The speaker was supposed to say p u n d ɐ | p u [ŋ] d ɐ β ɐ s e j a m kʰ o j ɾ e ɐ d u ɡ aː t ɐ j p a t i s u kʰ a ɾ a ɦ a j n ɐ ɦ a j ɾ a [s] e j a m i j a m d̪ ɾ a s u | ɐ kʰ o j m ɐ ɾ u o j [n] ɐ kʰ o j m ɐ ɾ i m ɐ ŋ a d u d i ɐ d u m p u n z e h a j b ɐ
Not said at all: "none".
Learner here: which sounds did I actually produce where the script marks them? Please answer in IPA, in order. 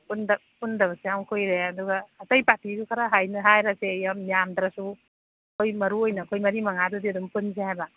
n, s, n

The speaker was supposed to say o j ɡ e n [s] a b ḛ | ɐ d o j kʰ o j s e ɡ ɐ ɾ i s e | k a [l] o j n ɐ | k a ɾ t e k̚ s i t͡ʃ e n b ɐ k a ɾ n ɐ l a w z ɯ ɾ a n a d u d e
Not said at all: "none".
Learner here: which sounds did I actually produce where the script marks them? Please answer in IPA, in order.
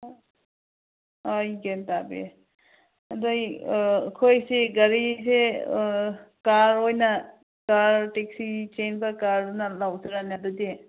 t, ɾ

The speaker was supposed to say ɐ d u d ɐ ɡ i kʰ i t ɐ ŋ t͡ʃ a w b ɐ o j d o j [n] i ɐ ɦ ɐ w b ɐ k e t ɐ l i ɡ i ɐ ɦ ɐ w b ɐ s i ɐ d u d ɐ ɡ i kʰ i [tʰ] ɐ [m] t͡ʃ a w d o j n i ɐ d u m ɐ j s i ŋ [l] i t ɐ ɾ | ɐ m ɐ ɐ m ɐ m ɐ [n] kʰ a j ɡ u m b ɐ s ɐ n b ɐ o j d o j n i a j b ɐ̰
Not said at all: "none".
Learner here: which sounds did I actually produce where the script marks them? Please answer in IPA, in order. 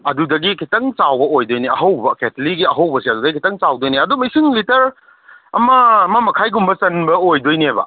n, t, ŋ, l, none

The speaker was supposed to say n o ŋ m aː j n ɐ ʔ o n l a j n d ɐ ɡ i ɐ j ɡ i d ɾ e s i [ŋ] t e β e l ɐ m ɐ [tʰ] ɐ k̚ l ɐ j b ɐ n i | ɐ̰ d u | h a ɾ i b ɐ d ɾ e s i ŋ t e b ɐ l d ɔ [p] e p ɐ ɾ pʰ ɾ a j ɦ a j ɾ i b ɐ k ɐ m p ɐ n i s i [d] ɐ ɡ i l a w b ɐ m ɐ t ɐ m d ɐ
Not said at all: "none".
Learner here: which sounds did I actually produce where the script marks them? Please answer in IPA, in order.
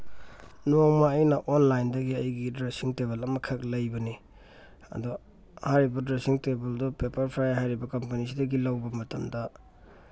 ŋ, kʰ, p, d

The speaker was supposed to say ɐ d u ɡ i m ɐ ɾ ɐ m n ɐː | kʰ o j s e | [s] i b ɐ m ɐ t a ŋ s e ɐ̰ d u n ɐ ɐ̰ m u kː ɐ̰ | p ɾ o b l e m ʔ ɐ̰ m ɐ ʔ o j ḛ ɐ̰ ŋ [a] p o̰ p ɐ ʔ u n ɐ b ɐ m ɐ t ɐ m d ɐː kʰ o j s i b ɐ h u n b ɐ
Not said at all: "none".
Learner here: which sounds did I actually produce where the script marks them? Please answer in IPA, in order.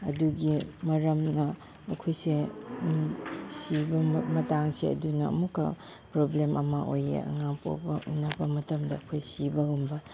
s, a

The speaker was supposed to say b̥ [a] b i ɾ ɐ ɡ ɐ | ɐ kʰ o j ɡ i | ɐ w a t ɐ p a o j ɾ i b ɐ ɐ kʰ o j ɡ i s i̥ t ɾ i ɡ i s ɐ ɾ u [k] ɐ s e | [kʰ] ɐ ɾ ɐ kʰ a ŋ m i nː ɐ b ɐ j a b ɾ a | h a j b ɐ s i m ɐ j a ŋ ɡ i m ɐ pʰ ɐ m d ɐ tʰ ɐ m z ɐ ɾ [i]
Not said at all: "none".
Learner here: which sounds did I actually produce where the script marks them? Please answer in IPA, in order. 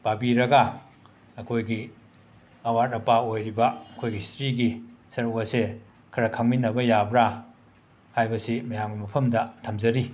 a, k, kʰ, i

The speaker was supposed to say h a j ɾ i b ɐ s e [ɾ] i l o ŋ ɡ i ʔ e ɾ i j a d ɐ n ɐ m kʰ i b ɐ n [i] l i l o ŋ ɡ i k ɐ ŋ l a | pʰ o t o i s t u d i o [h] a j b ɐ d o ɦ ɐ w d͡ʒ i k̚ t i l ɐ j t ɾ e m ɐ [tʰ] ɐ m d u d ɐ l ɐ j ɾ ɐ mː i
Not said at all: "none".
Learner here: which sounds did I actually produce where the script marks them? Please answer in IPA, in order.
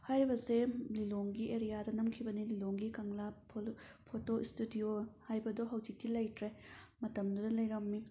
l, i, h, t

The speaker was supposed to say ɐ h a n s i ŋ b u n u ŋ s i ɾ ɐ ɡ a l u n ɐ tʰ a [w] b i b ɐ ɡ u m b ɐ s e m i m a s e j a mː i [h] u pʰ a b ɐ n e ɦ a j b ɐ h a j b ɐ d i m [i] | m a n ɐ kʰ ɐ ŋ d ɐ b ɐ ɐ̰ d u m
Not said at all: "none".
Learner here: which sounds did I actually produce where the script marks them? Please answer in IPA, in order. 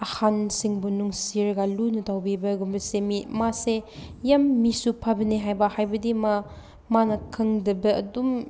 w, s, a

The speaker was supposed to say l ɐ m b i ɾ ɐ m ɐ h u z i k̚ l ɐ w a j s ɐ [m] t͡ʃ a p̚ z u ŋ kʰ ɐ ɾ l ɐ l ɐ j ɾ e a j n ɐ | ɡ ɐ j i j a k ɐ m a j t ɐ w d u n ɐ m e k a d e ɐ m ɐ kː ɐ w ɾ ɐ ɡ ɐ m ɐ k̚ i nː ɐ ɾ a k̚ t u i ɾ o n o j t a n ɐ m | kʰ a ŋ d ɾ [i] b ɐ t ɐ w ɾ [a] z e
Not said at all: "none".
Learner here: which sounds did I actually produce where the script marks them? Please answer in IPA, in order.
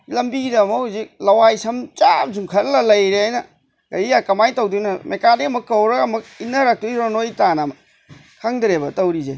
m, e, i

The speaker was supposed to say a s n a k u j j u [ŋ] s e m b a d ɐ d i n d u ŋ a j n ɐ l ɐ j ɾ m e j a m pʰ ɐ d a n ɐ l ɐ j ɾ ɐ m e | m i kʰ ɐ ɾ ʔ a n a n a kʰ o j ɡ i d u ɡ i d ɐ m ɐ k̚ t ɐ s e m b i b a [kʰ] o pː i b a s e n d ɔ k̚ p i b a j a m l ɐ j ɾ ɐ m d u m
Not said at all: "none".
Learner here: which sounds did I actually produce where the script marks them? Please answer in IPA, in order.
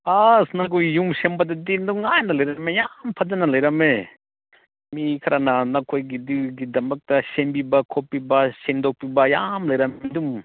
m, kʰ

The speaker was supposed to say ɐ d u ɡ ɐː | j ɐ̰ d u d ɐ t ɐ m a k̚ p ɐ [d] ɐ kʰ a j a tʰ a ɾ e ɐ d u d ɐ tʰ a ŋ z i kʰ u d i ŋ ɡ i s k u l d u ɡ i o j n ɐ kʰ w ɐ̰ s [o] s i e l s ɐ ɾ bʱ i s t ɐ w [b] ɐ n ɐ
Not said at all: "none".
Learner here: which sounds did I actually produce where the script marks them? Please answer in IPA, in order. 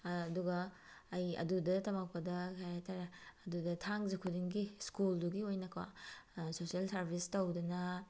d, o, d

